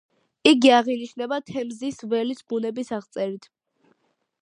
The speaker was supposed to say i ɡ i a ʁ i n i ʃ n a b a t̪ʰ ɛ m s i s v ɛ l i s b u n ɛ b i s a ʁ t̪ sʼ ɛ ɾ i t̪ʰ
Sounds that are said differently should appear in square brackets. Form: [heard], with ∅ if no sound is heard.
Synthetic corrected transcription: i ɡ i a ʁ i n i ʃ n [ɛ] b a t̪ʰ ɛ m [z] i s v ɛ l i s b u n ɛ b i s a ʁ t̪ sʼ ɛ ɾ i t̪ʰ